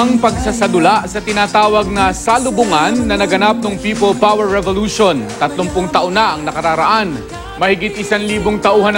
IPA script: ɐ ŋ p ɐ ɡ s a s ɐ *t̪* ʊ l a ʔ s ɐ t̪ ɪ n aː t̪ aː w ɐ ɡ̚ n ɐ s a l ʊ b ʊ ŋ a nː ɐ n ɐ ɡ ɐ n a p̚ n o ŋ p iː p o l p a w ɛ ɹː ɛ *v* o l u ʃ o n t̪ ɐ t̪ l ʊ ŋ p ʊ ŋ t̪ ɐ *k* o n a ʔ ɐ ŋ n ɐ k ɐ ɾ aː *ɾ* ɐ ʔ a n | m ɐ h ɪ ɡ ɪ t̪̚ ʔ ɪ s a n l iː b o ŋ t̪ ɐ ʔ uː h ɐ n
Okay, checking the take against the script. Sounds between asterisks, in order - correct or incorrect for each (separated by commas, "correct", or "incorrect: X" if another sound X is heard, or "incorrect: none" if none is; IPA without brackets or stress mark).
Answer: incorrect: d̪, correct, incorrect: ʔ, correct